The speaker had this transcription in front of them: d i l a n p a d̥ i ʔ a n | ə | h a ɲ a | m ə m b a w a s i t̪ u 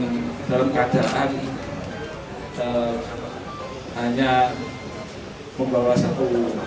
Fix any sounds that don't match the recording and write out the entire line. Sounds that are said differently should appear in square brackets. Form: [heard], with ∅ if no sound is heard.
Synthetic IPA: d [a] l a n [k] a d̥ [a] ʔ a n | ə | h a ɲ a | m ə m b a w a s [a] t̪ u